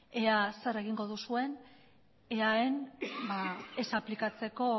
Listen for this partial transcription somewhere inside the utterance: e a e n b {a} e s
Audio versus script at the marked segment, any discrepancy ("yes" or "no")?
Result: no